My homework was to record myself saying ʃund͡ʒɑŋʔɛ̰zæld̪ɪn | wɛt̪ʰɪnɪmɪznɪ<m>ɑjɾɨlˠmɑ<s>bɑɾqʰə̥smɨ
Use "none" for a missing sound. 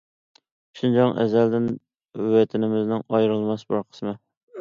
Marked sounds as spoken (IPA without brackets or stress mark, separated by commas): ŋ, s